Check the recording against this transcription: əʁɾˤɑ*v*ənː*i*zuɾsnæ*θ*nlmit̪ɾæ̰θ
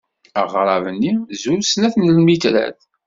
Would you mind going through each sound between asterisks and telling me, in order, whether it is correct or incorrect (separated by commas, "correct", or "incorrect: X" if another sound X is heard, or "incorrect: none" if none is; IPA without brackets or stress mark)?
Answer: correct, correct, correct